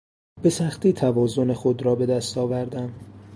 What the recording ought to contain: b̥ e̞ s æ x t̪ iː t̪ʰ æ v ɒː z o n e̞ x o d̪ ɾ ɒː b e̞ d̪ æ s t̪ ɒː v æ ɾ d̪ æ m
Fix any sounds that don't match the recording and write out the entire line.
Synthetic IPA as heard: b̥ e̞ s æ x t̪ iː t̪ʰ æ v ɒː z o n e̞ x o d̪ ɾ ɒː b e̞ d̪ æ s t̪ ɒː v æ ɾ d̪ æ m